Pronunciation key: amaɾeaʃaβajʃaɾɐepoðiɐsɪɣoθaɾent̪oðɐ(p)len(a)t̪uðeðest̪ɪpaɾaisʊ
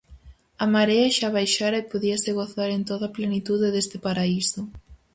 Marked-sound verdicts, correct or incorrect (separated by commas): correct, incorrect